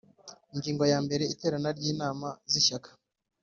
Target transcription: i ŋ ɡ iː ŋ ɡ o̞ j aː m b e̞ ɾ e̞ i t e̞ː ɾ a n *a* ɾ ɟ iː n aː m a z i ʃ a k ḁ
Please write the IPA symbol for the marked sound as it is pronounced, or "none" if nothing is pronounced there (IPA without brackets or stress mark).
a